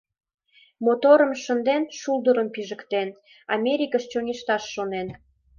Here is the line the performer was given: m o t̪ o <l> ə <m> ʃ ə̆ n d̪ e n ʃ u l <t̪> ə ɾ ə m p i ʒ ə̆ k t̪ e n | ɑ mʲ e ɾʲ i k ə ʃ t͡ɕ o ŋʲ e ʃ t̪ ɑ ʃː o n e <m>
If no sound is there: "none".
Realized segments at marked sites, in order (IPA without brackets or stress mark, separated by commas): ɾ, m, d̪, n